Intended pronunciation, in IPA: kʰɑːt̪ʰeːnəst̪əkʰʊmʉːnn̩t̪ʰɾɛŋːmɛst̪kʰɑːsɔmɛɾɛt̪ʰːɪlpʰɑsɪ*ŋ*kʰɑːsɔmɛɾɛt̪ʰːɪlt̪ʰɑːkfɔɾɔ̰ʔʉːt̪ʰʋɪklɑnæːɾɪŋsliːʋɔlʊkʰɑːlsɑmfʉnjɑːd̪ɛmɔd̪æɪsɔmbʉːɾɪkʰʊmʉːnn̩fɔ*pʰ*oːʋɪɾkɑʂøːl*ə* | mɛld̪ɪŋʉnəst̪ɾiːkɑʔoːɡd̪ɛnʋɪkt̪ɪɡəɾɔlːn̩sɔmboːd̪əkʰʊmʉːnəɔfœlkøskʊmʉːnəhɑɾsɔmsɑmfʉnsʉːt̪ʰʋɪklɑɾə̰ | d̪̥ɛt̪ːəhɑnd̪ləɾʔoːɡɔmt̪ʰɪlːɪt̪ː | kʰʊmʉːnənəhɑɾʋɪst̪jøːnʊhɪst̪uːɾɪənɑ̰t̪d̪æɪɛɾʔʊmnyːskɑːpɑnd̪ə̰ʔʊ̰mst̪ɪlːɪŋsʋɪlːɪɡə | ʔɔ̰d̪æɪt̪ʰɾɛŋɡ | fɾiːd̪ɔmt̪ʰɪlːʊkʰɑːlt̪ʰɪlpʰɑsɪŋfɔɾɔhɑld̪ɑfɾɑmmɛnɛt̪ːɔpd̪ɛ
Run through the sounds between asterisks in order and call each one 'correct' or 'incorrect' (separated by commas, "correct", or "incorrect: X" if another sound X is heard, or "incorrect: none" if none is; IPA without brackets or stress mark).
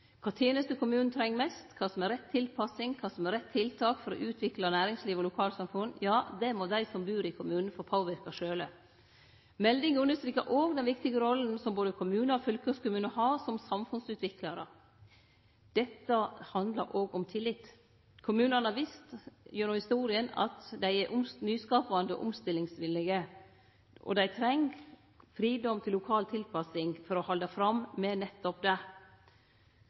correct, correct, correct